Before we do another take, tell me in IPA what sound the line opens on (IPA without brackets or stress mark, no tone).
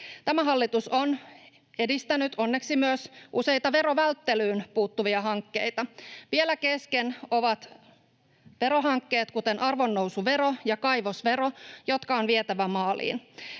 t̪